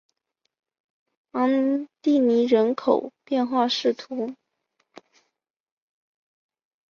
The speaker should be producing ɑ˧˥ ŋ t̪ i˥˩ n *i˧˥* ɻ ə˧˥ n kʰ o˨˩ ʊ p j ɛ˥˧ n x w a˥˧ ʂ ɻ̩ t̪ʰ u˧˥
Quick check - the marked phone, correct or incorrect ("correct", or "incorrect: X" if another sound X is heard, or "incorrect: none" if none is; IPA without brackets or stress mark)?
correct